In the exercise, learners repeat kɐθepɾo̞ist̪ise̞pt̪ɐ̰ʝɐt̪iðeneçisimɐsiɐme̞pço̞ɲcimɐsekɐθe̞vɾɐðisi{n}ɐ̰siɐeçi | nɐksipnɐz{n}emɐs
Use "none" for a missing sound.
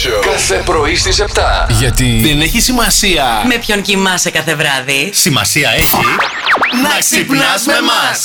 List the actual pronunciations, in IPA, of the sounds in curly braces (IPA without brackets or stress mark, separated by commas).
m, m